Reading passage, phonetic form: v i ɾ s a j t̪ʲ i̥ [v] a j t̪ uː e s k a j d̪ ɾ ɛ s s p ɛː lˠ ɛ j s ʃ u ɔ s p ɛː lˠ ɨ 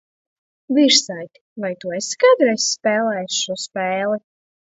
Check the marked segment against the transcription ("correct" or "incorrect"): correct